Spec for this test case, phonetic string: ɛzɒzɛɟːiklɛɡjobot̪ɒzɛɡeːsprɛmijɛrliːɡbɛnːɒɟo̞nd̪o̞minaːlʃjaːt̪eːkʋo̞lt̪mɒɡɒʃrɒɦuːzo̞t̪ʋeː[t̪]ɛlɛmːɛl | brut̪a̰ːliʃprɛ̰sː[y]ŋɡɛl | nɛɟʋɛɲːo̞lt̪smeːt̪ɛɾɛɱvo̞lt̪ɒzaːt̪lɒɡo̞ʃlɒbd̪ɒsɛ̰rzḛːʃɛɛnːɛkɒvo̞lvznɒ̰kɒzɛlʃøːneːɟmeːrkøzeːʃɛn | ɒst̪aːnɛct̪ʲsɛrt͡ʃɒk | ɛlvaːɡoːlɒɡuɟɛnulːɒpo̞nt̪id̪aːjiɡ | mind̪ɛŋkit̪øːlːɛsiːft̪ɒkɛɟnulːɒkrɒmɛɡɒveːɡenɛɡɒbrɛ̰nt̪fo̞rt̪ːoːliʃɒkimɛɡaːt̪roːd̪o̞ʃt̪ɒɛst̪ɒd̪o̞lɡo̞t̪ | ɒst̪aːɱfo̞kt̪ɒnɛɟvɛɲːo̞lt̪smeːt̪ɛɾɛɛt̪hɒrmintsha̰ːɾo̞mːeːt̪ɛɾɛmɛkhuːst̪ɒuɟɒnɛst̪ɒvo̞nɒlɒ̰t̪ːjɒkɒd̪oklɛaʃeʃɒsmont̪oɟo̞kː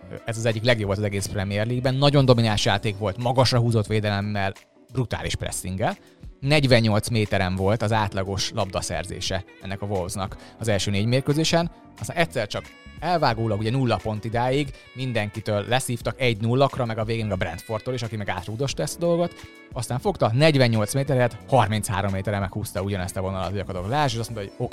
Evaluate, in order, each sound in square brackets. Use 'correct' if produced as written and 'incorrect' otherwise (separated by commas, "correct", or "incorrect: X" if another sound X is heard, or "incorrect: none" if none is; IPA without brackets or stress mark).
incorrect: d̪, incorrect: i